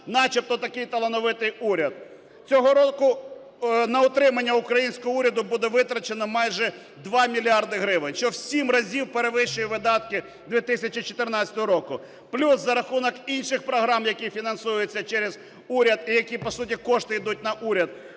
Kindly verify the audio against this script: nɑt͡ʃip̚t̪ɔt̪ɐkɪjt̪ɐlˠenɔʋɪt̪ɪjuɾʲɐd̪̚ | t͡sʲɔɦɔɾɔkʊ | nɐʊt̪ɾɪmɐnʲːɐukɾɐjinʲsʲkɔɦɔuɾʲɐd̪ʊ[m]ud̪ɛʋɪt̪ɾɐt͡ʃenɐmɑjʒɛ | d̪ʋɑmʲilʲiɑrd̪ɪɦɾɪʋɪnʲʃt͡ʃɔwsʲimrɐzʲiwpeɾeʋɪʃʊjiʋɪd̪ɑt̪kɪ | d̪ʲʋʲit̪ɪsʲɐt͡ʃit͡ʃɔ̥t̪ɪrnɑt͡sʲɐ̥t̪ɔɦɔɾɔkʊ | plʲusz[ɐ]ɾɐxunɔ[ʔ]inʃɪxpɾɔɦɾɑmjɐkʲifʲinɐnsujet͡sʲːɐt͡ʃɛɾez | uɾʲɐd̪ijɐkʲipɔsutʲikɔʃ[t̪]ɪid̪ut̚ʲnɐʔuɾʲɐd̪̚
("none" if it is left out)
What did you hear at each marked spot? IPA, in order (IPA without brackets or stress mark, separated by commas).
b, ɐ, k, t̪